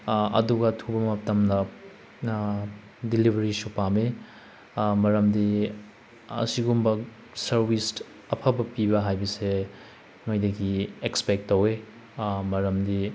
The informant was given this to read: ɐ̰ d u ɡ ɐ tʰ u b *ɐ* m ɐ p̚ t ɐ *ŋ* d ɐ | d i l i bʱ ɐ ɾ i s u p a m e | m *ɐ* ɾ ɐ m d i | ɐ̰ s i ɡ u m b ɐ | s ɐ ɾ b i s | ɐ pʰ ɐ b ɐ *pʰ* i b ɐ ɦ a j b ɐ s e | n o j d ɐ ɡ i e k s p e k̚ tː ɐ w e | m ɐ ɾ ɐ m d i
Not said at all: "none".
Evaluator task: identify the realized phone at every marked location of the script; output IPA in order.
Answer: ɐ, m, ɐ, p

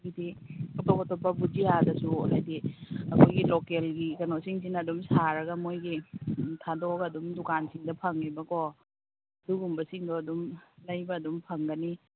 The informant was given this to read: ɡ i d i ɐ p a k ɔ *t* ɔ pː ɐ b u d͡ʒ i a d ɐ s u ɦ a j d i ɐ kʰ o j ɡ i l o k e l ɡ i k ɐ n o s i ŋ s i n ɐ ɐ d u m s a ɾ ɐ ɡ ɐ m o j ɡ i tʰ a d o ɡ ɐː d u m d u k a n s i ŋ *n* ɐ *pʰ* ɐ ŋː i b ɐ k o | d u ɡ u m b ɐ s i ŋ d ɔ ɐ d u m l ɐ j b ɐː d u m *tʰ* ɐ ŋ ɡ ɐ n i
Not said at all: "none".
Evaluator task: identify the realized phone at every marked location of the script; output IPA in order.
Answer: t, d, pʰ, pʰ

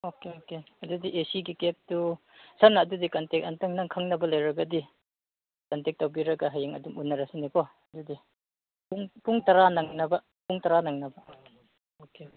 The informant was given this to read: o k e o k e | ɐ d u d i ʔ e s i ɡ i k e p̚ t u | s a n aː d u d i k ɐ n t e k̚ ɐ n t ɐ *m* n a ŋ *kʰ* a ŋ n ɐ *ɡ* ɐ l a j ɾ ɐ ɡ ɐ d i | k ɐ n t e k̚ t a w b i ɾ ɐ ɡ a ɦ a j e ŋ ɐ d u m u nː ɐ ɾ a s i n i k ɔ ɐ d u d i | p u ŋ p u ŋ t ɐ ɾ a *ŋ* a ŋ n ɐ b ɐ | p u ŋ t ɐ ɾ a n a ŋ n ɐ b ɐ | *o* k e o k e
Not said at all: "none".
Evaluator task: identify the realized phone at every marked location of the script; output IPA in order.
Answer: ŋ, kʰ, b, n, o

